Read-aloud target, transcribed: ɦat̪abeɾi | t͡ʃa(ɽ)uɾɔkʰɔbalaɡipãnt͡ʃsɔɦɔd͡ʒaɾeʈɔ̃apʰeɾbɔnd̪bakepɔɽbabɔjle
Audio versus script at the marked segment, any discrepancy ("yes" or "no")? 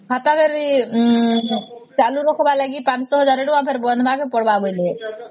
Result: yes